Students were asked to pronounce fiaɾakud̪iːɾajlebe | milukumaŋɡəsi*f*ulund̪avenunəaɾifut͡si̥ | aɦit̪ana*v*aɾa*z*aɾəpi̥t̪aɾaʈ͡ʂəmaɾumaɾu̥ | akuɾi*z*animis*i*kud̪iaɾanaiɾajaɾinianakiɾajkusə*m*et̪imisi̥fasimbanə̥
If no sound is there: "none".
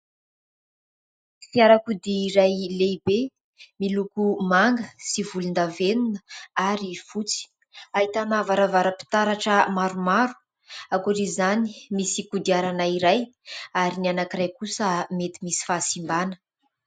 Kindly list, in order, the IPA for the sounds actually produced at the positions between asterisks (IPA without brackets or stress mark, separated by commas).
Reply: v, v, v, z, i, m